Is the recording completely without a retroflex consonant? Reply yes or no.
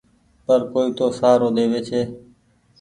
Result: yes